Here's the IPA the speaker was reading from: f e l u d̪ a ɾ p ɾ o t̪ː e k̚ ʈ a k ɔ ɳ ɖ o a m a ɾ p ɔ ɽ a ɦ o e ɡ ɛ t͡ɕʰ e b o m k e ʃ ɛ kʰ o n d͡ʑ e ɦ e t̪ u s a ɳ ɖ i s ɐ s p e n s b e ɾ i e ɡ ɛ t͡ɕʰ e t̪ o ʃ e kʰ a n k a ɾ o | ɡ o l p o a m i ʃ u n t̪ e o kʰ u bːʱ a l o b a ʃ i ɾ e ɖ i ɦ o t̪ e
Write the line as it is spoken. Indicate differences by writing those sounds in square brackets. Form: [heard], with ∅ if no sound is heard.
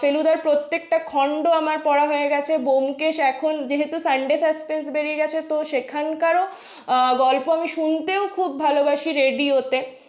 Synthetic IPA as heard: f e l u d̪ a ɾ p ɾ o t̪ː e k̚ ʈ a [kʰ] ɔ ɳ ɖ o a m a ɾ p ɔ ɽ a ɦ o e ɡ ɛ t͡ɕʰ e b o m k e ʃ ɛ kʰ o n d͡ʑ e ɦ e t̪ u s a ɳ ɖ [e] s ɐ s p e n s b e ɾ i e ɡ ɛ t͡ɕʰ e t̪ o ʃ e kʰ a n k a ɾ o | ɡ [ɔ] l p o a m i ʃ u n t̪ e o kʰ u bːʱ a l o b a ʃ i ɾ e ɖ i ɦ o t̪ e